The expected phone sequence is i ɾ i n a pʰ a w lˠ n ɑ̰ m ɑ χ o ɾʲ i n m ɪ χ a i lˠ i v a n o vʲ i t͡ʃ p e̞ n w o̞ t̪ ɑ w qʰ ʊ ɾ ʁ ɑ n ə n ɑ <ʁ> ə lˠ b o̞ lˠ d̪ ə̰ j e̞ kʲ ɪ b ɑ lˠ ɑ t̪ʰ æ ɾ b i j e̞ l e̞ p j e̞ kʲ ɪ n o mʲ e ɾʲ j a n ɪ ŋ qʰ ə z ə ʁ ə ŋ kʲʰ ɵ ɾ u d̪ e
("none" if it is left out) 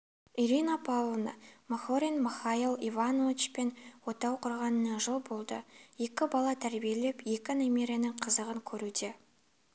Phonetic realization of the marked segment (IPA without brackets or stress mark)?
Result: ʒ